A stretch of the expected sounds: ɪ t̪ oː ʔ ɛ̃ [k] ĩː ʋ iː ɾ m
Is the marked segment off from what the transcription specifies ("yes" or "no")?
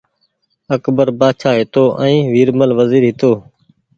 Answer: yes